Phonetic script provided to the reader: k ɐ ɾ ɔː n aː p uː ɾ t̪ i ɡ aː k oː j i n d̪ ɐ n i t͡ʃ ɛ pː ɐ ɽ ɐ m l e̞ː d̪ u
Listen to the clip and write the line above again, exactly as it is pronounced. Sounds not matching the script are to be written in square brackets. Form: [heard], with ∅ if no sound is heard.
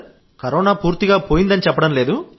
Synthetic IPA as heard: k ɐ ɾ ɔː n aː p uː ɾ t̪ i ɡ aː [p] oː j i n d̪ ɐ n i t͡ʃ ɛ pː ɐ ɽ ɐ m l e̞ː d̪ u